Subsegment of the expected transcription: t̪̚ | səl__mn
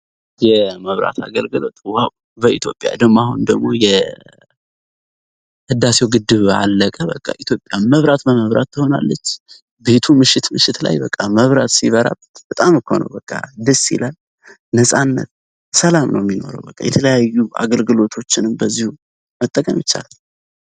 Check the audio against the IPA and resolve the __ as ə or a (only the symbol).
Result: a